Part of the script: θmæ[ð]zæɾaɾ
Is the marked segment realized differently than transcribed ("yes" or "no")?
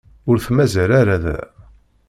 yes